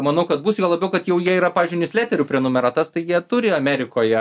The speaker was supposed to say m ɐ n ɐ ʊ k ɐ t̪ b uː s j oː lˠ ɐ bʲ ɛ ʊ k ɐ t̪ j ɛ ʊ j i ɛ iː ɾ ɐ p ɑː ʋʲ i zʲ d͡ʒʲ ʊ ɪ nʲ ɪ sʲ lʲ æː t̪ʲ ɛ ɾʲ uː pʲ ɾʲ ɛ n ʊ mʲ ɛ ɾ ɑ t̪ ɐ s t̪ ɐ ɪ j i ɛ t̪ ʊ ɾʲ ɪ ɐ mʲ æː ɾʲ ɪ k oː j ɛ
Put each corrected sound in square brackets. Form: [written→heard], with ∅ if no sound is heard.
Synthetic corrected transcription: m ɐ n ɐ ʊ k ɐ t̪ b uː s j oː lˠ ɐ bʲ ɛ ʊ k ɐ t̪ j ɛ ʊ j i ɛ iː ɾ ɐ p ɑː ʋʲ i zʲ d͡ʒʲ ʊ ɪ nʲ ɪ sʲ lʲ æː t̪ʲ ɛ ɾʲ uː pʲ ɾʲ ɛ n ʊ mʲ ɛ ɾ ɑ t̪ ɐ s t̪ ɐ ɪ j i ɛ t̪ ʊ ɾʲ ɪ ɐ mʲ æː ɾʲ ɪ k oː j ɛ